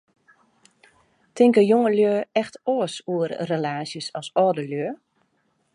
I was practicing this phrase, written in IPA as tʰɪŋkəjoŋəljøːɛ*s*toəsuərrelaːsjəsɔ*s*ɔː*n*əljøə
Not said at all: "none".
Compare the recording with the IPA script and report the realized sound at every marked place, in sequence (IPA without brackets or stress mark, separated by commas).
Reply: x, s, d